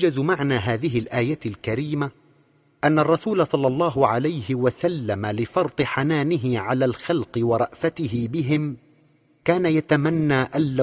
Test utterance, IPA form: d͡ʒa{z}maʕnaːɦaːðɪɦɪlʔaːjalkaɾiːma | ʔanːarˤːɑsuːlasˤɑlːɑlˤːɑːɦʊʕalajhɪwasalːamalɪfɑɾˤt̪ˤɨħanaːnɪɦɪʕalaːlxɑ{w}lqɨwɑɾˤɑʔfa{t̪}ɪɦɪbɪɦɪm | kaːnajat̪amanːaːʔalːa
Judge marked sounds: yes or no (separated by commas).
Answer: yes, no, yes